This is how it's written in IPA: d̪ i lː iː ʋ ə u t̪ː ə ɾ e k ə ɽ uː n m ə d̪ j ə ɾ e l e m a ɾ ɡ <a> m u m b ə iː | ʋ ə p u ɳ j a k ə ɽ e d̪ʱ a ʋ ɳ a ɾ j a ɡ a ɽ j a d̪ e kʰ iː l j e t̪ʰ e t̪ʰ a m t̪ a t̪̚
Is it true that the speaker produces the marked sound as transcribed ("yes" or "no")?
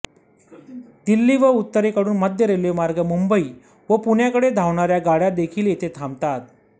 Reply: no